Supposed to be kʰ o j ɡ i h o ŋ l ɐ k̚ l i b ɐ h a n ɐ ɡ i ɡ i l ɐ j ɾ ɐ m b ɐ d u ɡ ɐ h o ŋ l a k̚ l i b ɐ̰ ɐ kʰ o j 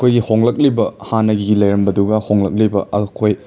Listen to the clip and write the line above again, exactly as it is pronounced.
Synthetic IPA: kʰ o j ɡ i h o ŋ l ɐ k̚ l i b ɐ h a n ɐ ɡ i ɡ i l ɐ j ɾ ɐ m b ɐ d u ɡ ɐ h o ŋ l ɐ k̚ l i b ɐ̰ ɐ kʰ o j